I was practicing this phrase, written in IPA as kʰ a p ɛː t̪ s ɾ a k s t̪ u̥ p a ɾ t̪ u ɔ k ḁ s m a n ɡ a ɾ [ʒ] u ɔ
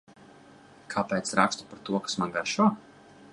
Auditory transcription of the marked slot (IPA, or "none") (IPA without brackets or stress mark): ʃ